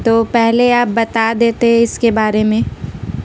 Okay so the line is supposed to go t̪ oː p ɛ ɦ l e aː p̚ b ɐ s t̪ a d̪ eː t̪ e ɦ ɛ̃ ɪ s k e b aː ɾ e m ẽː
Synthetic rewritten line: t̪ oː p ɛ ɦ l e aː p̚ b ɐ t̪ a d̪ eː t̪ e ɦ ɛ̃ ɪ s k e b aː ɾ e m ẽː